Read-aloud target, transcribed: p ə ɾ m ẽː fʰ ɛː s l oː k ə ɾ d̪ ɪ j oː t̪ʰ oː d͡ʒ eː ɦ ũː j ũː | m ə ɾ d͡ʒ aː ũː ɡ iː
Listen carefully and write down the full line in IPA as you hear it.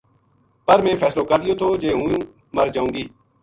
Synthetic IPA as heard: p ə ɾ m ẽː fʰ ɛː s l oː k ə ɾ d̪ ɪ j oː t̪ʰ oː d͡ʒ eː ɦ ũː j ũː | m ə ɾ d͡ʒ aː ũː ɡ iː